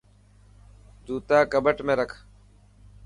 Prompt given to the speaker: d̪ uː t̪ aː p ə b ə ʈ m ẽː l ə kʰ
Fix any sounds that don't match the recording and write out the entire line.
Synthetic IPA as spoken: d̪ uː t̪ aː k ə b ə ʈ m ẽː ɾ ə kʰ

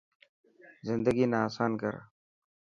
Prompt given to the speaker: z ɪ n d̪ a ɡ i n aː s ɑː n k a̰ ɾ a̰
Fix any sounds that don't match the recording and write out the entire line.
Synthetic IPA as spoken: z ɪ n d̪ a ɡ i n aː s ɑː n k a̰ ɾ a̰

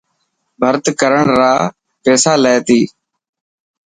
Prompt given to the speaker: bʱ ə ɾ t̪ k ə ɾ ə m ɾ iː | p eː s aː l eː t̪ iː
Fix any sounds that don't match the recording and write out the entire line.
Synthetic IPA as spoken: bʱ ə ɾ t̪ k ə ɾ ə ɳ ɾ aː | p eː s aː l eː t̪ iː

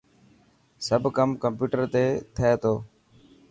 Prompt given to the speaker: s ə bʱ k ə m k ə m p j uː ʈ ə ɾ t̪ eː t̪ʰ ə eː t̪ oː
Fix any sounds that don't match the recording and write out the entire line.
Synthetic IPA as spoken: s ə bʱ k ə m k ə m p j uː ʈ ə ɾ t̪ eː t̪ʰ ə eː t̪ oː

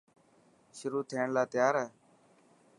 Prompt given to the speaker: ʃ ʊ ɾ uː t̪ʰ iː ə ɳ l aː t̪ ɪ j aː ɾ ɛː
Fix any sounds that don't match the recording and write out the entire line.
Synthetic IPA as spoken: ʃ ʊ ɾ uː t̪ʰ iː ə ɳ l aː t̪ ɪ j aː ɾ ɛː

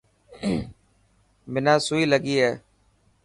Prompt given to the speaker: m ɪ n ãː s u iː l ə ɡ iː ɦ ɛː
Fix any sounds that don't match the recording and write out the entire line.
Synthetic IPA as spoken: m ɪ n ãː s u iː l ə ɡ iː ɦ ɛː

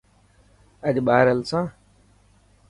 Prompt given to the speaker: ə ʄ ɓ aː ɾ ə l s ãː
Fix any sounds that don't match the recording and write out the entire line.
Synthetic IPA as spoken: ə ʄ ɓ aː ɾ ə l s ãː

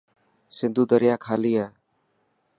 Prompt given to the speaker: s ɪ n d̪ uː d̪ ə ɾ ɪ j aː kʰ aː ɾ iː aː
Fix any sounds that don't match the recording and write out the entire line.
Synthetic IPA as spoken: s ɪ n d̪ uː d̪ ə ɾ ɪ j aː kʰ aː l iː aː

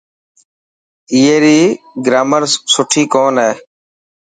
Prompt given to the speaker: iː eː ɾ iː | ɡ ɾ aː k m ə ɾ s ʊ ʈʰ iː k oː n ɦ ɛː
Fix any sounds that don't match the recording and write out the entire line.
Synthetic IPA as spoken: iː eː ɾ iː | ɡ ɾ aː m ə ɾ s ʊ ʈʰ iː k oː n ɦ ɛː

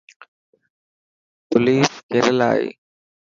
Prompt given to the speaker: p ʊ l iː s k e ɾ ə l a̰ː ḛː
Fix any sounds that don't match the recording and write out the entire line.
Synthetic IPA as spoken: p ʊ l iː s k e ɾ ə l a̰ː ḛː

